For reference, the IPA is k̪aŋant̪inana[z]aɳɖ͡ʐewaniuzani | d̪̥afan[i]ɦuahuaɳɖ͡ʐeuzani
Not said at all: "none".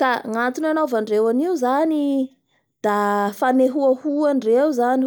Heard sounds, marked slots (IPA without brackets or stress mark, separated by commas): v, e